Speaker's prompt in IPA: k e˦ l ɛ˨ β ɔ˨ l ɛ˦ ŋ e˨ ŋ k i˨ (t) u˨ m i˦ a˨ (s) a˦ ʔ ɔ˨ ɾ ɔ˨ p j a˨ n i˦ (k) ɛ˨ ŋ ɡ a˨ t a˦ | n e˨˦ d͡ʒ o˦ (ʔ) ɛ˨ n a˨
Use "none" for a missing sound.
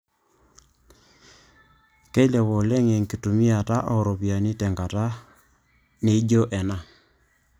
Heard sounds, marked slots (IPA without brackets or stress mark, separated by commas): t, t, t, ʔ